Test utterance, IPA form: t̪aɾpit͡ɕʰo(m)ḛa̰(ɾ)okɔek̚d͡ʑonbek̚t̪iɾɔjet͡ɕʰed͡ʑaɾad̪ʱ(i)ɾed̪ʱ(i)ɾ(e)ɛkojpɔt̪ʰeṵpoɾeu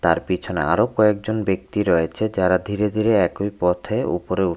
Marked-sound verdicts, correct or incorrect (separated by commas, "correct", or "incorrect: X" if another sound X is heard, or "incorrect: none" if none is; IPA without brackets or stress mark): incorrect: n, correct, correct, correct, correct